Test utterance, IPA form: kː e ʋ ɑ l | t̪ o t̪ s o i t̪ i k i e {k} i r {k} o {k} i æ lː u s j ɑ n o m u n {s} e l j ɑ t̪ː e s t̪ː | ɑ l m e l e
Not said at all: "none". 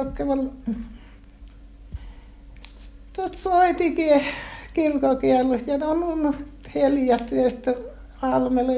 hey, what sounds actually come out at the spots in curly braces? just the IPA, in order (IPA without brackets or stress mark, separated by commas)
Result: k, k, k, h